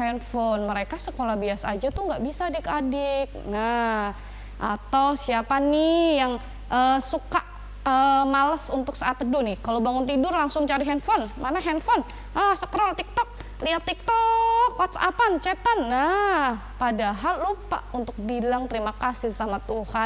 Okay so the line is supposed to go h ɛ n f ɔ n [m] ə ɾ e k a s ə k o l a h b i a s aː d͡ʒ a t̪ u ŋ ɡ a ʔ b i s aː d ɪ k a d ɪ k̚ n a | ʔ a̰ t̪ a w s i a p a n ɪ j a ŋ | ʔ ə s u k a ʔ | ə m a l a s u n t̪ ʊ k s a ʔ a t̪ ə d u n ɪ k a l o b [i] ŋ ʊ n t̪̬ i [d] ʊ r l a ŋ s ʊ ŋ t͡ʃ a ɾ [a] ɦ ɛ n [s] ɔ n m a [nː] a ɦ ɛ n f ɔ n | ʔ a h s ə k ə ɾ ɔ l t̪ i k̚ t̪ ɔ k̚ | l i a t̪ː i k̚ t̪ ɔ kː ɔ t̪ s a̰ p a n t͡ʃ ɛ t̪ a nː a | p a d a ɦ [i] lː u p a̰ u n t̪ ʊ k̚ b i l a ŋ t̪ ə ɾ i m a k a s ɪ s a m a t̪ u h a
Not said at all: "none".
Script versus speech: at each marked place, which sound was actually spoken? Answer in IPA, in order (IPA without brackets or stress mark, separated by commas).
m, a, d, i, f, n, a